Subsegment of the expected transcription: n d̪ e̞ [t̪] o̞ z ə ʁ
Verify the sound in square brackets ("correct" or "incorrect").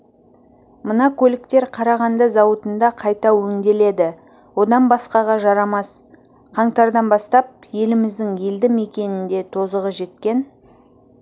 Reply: incorrect